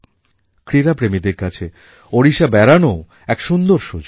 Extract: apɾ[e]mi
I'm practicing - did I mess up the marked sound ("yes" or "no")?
no